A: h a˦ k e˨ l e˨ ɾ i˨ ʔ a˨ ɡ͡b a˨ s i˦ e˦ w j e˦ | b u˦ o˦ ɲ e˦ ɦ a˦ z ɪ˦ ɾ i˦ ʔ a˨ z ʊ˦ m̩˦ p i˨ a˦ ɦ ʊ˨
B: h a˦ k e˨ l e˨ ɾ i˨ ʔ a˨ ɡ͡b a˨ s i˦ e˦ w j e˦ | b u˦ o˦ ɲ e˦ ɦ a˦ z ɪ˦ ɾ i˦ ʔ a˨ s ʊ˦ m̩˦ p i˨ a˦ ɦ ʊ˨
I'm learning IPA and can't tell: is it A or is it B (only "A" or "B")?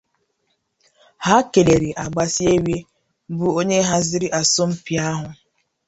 B